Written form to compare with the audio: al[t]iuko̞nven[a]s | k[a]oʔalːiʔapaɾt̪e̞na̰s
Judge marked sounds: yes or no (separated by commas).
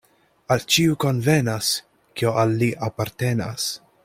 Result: no, yes, no